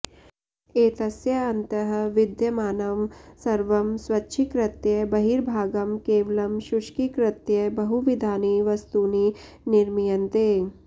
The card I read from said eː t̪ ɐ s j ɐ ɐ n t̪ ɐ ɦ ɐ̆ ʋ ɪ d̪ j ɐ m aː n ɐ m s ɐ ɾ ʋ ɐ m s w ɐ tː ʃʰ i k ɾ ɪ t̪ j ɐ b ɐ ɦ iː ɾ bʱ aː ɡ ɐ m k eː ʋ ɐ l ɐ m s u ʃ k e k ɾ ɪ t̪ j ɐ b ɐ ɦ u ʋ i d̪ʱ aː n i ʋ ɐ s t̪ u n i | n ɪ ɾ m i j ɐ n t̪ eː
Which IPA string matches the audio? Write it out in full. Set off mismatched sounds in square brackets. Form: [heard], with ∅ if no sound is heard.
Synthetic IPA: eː t̪ ɐ s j ɐ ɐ n t̪ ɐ ɦ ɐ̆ ʋ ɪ d̪ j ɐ m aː n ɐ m s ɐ ɾ ʋ ɐ m s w ɐ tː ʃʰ i k ɾ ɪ t̪ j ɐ b ɐ ɦ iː ɾ bʱ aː ɡ ɐ m k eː ʋ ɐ l ɐ m [ʃ] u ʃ k [i] k ɾ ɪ t̪ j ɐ b ɐ ɦ u ʋ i d̪ʱ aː n i ʋ ɐ s t̪ u n i | n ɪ ɾ m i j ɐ n t̪ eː